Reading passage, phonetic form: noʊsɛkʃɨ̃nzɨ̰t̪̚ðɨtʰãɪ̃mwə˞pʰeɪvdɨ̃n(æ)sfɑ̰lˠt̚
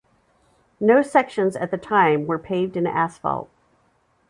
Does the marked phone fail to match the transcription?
no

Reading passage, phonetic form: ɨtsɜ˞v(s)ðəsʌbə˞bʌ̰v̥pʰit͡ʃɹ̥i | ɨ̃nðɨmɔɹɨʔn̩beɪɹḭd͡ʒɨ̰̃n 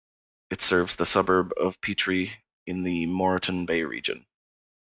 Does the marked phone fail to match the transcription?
yes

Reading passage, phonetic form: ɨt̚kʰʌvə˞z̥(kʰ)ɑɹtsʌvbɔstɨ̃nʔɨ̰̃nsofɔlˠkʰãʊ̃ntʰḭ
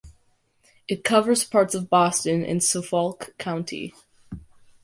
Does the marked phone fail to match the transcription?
yes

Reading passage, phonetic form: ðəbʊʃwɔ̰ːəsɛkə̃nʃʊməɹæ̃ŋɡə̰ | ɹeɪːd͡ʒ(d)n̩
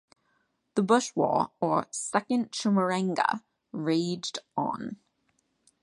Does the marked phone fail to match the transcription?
no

